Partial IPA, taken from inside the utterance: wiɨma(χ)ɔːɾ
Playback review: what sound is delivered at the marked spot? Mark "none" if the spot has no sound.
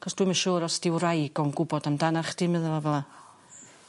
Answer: ʃ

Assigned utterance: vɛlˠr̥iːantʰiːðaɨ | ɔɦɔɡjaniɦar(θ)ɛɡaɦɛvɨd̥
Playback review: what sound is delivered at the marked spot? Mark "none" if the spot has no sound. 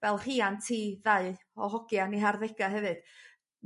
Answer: ð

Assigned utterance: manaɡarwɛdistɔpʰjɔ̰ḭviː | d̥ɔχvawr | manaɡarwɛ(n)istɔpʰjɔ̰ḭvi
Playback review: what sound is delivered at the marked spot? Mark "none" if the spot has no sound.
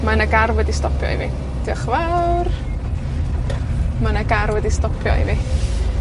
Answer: d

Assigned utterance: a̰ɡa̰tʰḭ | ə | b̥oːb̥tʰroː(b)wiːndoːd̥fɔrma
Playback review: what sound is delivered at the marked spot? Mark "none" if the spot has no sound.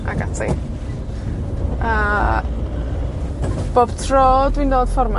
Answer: d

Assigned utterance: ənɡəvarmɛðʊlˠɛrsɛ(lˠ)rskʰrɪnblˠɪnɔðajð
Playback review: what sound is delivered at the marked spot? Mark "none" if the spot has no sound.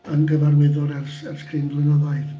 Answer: none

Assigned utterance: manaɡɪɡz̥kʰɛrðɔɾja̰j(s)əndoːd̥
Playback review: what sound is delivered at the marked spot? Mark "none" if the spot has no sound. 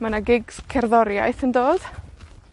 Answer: θ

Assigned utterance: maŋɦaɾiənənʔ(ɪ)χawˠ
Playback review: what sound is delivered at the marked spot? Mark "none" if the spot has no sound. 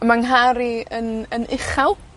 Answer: ɪ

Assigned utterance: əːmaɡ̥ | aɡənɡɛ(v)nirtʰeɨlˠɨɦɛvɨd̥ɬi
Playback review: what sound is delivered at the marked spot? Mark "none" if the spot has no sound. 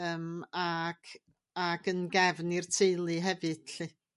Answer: v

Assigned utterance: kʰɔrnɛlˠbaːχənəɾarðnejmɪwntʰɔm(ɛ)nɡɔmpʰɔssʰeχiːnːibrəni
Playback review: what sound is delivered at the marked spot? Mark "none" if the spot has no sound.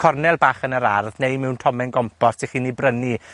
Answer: ɛ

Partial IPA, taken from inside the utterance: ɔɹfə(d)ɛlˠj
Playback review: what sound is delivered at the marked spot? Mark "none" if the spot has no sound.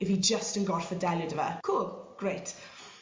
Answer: d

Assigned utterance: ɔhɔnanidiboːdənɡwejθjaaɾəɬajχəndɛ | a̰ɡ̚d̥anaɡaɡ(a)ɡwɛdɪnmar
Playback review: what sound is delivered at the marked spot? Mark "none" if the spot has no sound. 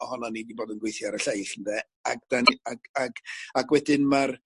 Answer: a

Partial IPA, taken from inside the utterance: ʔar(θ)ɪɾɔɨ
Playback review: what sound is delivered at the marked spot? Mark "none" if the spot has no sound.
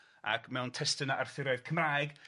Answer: θ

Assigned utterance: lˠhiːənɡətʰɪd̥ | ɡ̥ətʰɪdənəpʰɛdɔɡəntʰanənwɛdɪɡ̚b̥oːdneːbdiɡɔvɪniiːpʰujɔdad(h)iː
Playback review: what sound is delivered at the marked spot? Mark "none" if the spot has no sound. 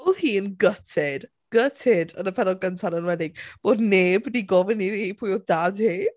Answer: h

